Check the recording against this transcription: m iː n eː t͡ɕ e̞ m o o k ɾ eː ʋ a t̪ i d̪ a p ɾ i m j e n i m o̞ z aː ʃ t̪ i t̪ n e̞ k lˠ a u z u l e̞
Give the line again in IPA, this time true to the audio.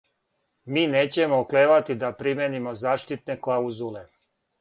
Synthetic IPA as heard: m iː n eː t͡ɕ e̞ m o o k l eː ʋ a t̪ i d̪ a p ɾ i m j e n i m o̞ z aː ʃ t̪ i t̪ n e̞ k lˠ a u z u l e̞